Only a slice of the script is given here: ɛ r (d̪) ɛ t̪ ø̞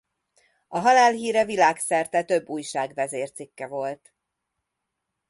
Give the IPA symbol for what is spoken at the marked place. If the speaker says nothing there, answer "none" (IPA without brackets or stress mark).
t̪